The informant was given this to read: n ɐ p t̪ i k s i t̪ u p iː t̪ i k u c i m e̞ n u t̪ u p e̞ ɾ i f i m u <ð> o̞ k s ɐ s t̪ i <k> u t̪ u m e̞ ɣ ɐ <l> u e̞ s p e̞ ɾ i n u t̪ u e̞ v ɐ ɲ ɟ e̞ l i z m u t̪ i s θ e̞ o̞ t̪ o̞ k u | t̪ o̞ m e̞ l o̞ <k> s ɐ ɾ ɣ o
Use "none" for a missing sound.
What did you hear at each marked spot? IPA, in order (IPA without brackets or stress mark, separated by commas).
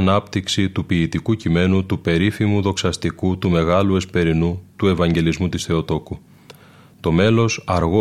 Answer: ð, k, l, none